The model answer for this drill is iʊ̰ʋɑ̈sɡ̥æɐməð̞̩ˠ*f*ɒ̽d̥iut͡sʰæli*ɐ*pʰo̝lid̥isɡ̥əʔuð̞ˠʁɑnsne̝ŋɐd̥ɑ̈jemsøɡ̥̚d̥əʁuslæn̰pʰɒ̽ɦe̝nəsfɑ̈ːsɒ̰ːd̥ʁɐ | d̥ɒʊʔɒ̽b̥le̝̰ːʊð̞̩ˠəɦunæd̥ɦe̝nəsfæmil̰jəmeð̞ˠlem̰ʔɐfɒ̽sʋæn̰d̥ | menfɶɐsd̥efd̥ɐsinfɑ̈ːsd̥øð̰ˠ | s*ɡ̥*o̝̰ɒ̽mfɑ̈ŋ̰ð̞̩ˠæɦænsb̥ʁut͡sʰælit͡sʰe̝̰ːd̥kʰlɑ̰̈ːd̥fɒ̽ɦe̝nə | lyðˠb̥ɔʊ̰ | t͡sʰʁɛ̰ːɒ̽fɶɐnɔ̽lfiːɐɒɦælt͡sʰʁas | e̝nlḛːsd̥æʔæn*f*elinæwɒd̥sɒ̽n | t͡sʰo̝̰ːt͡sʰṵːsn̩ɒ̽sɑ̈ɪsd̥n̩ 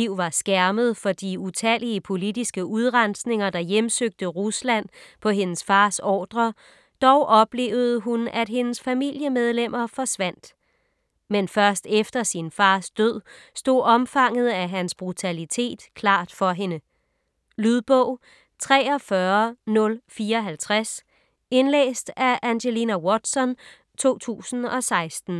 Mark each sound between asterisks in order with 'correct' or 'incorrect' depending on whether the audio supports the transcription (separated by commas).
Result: correct, incorrect, incorrect, incorrect